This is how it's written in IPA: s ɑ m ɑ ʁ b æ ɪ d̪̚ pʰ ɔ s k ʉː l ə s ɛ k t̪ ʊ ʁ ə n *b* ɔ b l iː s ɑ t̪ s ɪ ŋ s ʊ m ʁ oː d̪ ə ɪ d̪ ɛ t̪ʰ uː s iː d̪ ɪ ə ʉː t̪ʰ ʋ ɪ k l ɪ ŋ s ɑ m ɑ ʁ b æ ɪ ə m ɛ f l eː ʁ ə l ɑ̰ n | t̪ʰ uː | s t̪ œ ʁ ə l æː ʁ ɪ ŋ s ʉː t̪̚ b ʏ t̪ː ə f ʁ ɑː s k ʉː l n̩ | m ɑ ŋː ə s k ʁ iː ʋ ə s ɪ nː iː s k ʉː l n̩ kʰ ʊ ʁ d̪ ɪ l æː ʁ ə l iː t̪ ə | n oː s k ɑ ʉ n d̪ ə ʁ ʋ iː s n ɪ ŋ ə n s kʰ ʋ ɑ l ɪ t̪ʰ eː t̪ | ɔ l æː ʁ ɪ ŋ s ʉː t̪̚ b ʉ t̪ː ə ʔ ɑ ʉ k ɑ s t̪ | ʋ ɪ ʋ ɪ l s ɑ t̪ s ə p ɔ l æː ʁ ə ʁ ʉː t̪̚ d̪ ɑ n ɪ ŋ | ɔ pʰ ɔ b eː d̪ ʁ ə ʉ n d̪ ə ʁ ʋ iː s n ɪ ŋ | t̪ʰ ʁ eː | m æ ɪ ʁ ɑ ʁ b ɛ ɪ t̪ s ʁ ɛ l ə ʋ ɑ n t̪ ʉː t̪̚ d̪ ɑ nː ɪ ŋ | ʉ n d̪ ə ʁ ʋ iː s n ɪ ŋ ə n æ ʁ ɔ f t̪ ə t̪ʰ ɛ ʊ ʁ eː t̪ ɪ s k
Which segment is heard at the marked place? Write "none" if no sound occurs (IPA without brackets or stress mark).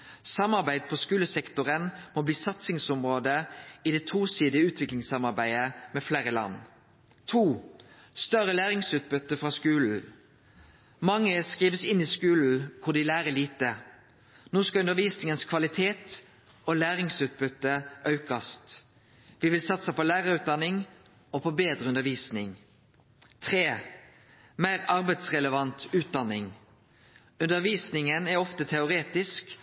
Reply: m